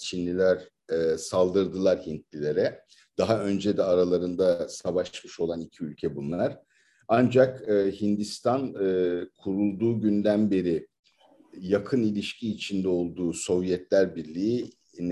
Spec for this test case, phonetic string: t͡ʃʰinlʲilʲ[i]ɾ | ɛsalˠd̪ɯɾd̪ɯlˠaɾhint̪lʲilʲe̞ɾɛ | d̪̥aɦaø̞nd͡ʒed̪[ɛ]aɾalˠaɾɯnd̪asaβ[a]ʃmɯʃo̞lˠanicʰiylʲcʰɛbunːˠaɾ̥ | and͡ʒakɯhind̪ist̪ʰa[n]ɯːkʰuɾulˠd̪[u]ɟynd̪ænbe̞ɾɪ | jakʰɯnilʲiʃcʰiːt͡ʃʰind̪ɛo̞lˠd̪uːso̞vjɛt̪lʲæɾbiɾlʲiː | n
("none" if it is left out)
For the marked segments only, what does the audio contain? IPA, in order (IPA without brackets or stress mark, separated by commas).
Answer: æ, ɛ, a, n, uː